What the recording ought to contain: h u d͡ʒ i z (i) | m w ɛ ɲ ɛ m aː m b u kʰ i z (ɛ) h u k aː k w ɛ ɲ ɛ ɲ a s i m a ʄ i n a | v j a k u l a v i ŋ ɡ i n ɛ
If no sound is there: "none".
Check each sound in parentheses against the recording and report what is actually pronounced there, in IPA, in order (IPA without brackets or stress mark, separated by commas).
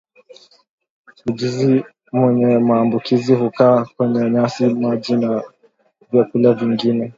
i, i